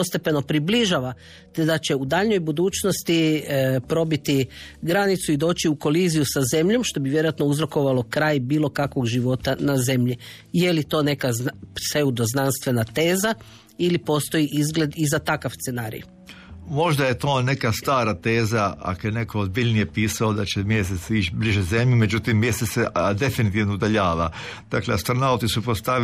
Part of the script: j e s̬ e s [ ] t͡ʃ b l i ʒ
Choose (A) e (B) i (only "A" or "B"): B